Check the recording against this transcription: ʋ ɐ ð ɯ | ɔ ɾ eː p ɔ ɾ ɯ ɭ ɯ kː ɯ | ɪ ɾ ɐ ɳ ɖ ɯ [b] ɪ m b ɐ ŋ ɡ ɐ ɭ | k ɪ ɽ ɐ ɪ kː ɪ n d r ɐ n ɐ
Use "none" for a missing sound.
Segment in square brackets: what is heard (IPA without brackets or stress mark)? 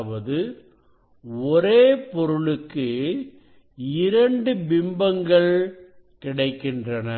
b